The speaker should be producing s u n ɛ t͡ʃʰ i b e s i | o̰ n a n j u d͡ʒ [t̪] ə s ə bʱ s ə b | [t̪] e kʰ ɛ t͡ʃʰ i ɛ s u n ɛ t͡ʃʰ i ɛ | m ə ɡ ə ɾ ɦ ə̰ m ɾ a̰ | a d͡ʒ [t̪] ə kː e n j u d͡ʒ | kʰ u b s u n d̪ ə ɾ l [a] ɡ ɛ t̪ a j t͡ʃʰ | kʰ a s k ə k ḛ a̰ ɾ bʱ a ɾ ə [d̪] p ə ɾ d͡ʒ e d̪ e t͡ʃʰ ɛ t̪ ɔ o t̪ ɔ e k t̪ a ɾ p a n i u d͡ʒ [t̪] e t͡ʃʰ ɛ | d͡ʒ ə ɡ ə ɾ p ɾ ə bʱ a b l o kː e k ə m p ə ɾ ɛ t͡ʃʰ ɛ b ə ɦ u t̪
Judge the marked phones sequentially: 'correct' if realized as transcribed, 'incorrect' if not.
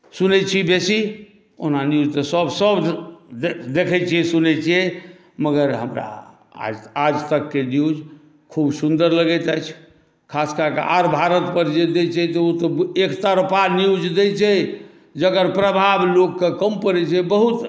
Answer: correct, incorrect: d̪, correct, incorrect: ə, incorrect: t̪, incorrect: d̪

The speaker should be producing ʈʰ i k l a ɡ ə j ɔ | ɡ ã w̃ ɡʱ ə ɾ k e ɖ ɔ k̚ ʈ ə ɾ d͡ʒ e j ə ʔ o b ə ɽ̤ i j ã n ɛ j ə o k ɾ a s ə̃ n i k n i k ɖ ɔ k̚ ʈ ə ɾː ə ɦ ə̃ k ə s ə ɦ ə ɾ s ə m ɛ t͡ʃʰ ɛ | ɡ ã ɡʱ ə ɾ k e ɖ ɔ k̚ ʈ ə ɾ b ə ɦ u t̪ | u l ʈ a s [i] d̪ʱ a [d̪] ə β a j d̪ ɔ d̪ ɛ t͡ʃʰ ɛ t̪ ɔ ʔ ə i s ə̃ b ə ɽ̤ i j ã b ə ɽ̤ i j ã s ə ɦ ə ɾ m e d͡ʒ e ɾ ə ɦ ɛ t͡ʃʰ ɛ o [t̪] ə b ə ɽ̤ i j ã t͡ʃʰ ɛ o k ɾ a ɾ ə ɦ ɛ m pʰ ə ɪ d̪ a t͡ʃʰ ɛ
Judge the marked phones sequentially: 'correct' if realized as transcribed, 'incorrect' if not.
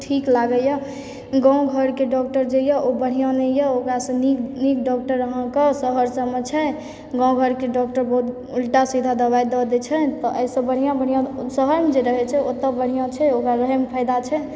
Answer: correct, correct, correct

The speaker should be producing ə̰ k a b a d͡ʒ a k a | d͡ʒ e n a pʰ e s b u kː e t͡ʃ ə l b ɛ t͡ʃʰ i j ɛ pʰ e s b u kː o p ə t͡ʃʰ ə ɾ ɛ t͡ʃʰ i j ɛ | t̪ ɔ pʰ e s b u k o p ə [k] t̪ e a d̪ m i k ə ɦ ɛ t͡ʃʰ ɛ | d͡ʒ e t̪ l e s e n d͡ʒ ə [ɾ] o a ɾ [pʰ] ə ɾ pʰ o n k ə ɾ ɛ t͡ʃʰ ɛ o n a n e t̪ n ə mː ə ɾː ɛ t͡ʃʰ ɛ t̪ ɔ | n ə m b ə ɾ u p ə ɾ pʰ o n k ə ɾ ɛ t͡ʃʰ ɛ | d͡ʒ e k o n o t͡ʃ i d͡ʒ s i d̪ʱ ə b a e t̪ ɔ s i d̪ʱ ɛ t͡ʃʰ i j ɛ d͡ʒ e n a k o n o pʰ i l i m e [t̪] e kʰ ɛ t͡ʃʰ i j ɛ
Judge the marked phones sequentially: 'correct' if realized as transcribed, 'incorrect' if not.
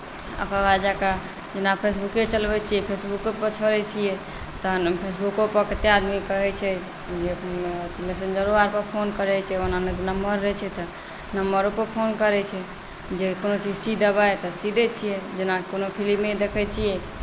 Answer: correct, correct, incorrect: p, incorrect: d̪

